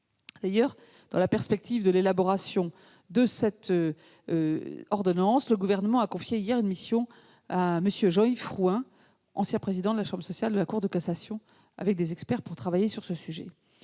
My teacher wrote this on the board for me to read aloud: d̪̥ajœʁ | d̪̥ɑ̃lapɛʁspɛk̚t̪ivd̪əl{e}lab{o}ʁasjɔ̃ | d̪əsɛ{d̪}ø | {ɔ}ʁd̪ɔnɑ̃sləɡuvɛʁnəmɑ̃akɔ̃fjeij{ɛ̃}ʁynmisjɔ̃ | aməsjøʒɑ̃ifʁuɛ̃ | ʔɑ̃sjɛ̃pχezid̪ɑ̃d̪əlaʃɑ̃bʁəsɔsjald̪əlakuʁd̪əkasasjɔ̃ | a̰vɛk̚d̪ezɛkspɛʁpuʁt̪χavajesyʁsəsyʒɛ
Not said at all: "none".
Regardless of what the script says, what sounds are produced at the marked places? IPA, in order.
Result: e, ɔ, t̪, ɔ, ɛ

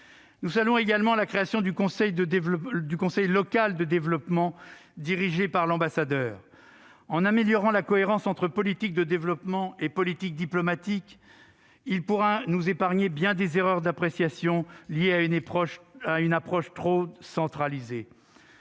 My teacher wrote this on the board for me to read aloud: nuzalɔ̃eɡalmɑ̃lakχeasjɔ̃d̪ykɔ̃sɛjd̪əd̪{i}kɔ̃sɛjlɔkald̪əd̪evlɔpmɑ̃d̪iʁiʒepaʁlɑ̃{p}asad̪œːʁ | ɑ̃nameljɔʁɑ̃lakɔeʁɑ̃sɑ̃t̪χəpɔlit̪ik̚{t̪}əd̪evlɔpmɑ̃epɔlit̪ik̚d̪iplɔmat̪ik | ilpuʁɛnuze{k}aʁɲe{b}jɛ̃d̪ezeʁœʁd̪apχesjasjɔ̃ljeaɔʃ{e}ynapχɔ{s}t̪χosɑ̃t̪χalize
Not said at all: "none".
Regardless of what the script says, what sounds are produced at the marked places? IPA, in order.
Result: y, b, d̪, p, b, a, ʃ

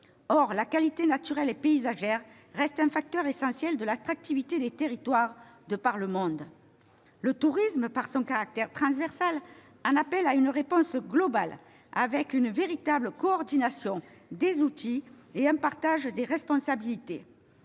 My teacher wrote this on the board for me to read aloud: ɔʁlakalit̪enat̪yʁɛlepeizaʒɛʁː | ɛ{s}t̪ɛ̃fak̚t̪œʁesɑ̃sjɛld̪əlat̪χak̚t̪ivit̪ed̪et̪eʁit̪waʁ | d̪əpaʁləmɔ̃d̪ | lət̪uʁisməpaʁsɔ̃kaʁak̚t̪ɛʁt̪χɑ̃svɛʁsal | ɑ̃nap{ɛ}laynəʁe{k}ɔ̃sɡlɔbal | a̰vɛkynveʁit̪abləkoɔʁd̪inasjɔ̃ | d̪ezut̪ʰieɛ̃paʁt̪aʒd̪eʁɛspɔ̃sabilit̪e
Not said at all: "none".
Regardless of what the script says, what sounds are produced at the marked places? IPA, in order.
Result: s, ɛ, p

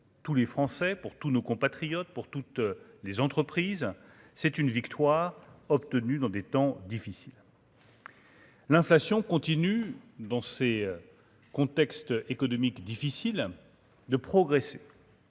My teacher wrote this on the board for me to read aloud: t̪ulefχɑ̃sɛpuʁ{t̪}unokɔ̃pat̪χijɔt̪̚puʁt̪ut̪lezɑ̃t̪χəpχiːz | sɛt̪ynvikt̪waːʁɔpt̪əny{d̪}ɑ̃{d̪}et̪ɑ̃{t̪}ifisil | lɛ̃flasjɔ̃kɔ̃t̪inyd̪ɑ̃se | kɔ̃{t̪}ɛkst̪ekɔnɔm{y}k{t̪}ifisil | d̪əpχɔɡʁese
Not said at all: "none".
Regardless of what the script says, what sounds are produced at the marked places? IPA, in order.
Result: t̪, d̪, d̪, d̪, t̪, i, d̪

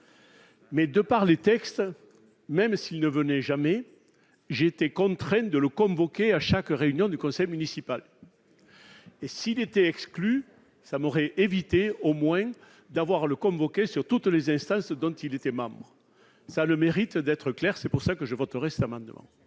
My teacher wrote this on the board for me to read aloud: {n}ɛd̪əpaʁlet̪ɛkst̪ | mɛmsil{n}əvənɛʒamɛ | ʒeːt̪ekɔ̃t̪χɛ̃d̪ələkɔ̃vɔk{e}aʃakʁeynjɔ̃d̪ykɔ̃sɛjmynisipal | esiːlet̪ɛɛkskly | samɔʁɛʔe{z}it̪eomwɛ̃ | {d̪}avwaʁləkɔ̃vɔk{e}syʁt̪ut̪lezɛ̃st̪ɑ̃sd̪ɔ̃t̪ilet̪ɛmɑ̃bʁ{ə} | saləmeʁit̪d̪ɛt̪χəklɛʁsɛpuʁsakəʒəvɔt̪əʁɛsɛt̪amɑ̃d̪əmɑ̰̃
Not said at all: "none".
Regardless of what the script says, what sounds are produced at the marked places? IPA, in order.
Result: m, n, e, v, d̪, e, ə

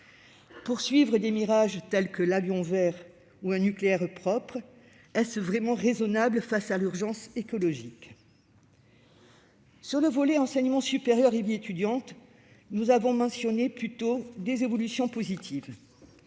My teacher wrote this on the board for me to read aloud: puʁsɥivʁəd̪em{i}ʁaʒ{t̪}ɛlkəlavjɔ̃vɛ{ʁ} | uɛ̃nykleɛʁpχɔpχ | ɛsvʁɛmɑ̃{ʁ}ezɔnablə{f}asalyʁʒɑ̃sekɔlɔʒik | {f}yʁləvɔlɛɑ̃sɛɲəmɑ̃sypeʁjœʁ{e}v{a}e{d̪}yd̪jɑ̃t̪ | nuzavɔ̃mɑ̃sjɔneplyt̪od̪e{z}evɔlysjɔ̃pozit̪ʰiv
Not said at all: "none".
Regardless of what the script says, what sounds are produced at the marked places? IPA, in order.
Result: i, t̪, ʁ, ʁ, f, s, e, i, t̪, z

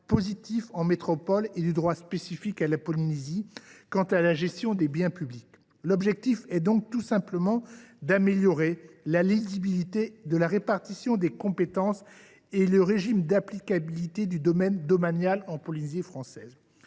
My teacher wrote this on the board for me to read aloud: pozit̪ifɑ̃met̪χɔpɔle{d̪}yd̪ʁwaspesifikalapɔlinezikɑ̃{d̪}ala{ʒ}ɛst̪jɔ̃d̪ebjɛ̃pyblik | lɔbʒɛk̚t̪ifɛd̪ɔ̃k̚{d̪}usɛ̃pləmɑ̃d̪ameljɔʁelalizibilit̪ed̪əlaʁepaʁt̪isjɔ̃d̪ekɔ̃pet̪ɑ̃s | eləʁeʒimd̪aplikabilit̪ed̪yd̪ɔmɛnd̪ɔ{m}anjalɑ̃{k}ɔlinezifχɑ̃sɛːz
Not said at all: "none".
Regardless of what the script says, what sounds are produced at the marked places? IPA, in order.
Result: d̪, t̪, ʒ, t̪, m, p

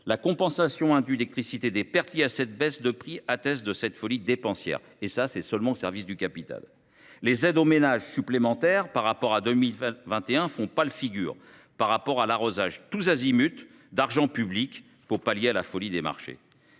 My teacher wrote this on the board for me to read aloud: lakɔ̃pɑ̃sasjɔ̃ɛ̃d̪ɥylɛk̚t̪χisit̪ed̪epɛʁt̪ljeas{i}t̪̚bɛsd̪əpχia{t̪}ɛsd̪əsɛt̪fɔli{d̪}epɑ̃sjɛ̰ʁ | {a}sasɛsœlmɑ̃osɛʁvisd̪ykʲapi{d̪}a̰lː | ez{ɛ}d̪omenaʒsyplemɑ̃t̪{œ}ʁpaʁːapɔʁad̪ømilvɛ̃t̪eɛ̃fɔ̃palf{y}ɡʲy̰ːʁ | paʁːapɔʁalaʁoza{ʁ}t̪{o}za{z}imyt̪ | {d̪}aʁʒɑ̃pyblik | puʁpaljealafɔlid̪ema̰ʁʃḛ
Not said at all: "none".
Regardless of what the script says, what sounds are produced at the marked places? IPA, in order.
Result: ɛ, t̪, d̪, e, t̪, ɛ, ɛ, i, ʒ, u, z, d̪

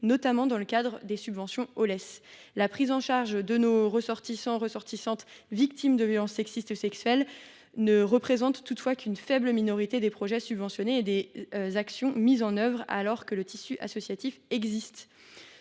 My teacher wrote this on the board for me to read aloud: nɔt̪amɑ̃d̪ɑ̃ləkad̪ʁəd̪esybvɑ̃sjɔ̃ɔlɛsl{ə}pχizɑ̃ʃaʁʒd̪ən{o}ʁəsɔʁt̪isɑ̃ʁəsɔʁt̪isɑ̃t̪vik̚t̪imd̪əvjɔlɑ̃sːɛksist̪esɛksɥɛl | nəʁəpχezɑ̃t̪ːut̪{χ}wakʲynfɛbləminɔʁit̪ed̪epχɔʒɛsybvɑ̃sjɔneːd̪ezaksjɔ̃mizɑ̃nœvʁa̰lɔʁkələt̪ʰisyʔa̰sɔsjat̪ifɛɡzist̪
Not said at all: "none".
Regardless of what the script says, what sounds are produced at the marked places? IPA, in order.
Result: a, o, f

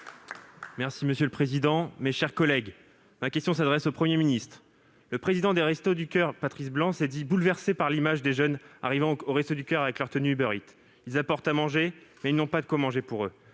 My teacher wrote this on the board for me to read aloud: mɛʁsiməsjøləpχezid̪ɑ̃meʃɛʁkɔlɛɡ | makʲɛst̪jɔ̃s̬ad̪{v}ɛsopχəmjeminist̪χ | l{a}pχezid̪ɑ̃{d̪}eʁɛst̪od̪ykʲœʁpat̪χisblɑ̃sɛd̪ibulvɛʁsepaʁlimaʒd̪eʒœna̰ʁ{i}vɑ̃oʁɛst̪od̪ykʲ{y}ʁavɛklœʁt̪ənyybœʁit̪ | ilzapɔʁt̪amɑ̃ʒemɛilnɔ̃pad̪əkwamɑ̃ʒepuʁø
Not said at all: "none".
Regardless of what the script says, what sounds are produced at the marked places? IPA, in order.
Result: ʁ, ə, d̪, i, œ

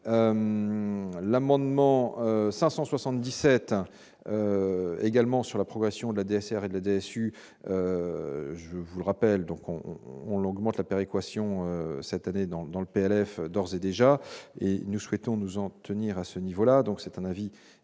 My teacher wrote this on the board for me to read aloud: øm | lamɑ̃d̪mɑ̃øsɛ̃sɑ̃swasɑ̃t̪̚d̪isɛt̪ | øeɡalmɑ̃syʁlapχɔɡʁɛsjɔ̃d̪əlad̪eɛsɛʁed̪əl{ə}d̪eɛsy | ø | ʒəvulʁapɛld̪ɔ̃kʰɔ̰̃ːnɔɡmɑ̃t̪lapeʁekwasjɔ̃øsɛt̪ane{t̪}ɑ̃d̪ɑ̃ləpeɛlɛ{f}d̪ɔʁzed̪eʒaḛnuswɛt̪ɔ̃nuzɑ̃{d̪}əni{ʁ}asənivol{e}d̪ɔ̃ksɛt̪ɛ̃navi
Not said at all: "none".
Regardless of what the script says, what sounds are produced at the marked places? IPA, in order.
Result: a, d̪, f, t̪, ʁ, a

